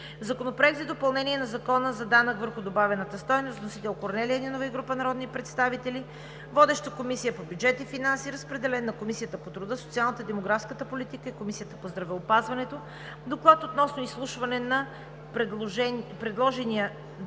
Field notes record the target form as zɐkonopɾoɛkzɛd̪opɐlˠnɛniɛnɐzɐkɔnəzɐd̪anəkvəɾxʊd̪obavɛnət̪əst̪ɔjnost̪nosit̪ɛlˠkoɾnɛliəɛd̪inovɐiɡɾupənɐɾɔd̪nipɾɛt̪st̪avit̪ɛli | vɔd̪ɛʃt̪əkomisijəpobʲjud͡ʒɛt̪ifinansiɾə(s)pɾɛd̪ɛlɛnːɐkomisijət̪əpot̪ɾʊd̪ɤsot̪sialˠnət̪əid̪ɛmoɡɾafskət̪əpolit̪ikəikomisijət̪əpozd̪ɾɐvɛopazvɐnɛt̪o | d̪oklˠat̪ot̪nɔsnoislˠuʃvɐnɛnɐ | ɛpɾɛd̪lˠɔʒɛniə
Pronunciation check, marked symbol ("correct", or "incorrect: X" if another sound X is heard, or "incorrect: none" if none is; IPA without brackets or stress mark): correct